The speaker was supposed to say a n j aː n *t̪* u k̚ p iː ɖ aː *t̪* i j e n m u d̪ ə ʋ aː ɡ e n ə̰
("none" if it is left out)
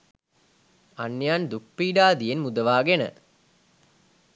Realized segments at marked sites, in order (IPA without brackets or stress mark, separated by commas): d̪, d̪